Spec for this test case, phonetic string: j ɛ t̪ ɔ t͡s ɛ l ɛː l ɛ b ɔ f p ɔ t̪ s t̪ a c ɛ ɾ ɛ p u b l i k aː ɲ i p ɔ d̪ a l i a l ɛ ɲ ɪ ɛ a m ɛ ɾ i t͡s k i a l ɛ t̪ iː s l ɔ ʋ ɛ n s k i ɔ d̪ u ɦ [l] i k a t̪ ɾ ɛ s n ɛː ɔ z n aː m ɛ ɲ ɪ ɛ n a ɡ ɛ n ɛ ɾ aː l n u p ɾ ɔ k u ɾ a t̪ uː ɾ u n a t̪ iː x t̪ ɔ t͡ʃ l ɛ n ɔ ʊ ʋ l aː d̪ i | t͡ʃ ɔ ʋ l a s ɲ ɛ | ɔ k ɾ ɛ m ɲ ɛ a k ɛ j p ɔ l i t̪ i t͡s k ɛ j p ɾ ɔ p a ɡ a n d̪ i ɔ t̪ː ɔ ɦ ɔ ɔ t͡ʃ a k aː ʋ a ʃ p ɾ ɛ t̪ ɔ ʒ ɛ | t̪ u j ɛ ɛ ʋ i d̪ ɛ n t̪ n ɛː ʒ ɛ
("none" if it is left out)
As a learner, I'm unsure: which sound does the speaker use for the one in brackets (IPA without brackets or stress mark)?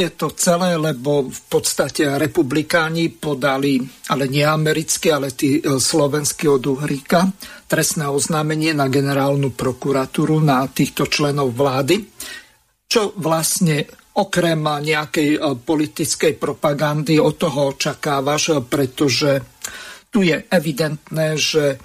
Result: ɾ